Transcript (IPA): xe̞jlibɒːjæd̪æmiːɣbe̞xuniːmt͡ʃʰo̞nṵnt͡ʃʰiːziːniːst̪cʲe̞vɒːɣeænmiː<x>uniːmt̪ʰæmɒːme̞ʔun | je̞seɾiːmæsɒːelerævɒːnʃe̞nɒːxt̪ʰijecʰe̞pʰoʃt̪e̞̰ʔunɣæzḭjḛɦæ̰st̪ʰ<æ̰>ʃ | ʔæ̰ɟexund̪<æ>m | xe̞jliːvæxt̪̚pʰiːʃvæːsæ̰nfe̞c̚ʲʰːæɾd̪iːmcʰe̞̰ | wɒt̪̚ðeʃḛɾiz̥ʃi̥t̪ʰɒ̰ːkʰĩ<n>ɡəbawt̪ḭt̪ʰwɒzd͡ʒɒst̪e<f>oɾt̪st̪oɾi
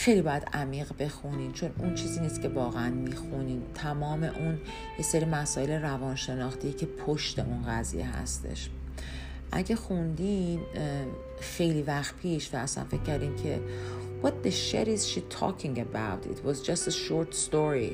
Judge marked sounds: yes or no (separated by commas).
yes, no, no, no, no